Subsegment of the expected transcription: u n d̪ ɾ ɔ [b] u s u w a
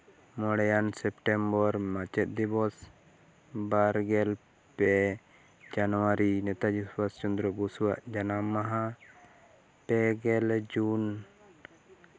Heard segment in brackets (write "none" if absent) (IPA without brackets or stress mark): b